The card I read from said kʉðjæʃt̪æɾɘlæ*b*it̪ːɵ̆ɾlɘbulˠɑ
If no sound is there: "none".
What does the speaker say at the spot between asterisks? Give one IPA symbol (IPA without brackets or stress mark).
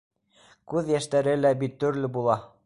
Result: b